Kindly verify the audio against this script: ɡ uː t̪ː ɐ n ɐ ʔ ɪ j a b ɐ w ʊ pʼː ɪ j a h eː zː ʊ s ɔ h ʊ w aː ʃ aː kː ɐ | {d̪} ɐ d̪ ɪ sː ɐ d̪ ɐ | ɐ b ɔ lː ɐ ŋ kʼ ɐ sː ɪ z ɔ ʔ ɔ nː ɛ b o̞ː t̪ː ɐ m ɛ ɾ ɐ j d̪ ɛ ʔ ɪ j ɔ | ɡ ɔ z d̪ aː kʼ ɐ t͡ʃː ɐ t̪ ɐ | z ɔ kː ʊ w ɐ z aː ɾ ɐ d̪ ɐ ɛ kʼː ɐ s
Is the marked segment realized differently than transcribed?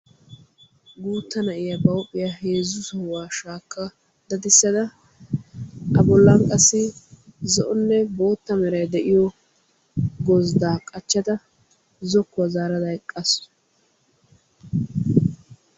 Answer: no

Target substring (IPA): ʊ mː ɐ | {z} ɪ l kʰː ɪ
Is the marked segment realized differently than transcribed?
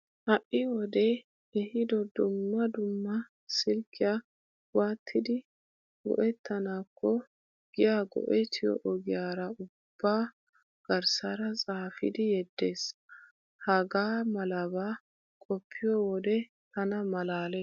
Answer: yes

